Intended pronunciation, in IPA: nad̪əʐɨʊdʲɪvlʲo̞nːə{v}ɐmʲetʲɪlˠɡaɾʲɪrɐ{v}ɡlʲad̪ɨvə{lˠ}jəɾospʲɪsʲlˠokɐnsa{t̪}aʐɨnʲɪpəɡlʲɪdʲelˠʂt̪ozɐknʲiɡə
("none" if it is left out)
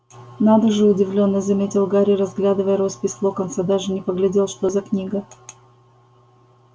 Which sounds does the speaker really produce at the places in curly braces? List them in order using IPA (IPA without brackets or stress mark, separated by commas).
z, z, none, d̪